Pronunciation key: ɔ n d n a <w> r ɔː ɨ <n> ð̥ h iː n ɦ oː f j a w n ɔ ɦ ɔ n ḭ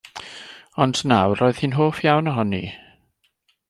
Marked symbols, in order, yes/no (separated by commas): yes, no